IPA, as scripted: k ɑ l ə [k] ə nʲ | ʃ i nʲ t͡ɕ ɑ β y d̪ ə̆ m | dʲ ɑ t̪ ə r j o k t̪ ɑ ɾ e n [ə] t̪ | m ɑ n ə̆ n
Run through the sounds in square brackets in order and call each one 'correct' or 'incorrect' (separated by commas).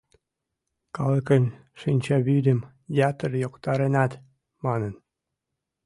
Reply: correct, incorrect